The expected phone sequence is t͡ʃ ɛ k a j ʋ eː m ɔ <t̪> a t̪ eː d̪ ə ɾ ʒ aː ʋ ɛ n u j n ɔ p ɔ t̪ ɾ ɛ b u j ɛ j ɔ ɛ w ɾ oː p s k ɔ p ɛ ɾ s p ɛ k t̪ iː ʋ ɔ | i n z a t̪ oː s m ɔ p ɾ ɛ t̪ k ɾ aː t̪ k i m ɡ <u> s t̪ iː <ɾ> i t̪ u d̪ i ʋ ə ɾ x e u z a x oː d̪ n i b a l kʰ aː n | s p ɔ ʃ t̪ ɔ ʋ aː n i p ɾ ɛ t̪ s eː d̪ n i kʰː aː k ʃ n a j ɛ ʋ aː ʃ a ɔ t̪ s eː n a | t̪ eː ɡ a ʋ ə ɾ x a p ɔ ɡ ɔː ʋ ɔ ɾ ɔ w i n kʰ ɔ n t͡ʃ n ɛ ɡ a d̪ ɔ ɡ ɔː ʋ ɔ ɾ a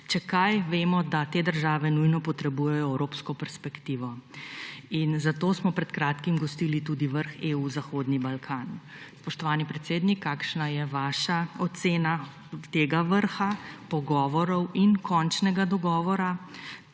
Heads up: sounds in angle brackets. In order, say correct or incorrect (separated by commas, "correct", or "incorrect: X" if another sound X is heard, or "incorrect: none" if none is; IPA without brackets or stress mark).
incorrect: d̪, incorrect: ɔ, incorrect: l